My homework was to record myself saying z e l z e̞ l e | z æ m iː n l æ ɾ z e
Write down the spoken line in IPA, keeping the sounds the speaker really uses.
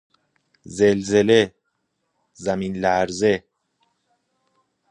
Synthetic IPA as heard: z e l z e̞ l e | z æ m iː n l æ ɾ z e